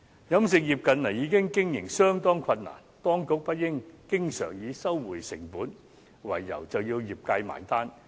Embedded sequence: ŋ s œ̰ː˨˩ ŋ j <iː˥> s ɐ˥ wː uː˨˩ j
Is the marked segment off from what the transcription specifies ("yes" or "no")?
yes